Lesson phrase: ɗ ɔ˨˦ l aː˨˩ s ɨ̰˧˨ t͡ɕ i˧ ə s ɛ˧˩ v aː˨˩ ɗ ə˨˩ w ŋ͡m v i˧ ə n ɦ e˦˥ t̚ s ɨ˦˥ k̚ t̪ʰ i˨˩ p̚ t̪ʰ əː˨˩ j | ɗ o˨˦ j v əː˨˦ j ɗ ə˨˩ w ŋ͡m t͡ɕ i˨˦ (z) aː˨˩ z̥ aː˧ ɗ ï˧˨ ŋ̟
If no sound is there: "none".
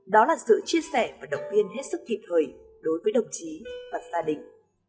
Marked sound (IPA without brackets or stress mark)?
v